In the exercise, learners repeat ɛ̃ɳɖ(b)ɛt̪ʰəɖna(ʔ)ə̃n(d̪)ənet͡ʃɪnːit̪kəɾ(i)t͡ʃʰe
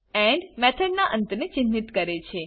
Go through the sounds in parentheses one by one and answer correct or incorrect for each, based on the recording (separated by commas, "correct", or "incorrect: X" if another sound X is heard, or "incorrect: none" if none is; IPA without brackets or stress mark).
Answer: incorrect: m, correct, incorrect: t̪, incorrect: e